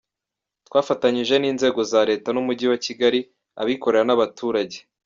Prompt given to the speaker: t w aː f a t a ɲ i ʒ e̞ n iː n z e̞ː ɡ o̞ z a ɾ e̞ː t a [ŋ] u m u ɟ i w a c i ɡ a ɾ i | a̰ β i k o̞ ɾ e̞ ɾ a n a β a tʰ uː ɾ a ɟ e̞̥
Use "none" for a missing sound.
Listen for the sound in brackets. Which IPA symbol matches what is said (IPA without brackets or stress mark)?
n